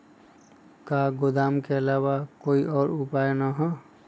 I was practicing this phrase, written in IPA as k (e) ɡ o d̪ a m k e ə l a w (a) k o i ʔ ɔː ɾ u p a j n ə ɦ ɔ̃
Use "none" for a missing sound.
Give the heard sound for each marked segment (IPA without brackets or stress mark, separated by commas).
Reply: a, a